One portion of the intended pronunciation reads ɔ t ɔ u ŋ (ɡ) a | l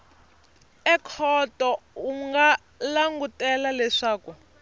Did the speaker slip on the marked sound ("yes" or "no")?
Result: no